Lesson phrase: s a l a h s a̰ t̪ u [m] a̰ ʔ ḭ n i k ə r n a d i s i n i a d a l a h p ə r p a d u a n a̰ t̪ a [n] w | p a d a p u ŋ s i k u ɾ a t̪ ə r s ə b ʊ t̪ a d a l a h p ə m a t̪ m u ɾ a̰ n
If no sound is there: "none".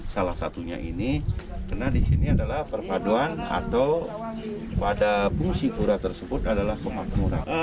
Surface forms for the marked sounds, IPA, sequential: ɲ, none

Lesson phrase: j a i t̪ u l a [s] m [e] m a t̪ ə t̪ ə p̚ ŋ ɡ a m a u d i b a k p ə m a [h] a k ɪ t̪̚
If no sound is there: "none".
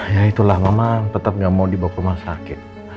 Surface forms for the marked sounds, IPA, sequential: h, a, s

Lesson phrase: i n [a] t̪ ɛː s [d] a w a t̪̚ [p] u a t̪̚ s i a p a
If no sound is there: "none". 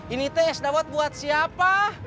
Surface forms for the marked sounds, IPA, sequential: i, d, b

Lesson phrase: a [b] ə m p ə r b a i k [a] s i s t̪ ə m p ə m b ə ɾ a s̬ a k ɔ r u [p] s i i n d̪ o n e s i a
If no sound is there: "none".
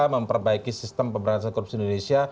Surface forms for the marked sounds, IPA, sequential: m, i, p

